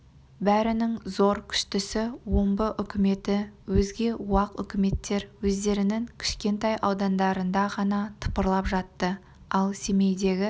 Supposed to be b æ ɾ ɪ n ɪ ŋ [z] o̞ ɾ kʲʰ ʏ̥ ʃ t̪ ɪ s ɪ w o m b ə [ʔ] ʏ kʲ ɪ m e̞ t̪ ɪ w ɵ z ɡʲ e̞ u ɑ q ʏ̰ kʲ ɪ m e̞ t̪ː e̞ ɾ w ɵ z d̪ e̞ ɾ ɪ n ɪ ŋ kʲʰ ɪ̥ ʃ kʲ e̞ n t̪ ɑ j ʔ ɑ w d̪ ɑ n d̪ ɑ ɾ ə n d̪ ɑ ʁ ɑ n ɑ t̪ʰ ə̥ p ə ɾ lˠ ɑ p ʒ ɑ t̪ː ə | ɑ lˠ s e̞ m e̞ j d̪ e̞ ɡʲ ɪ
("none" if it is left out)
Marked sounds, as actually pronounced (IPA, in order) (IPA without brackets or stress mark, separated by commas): z, ʔ